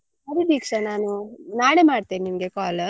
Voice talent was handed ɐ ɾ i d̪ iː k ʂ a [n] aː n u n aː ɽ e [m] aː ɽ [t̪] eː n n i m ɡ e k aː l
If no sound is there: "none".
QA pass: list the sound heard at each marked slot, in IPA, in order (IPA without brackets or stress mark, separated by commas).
n, m, t̪